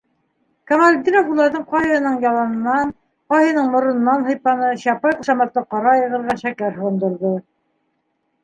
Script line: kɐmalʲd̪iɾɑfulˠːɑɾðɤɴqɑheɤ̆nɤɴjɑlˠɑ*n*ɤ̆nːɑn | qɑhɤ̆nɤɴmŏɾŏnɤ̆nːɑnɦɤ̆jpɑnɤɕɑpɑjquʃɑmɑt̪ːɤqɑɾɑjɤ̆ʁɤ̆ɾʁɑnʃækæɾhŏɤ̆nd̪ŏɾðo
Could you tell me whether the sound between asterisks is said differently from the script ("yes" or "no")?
no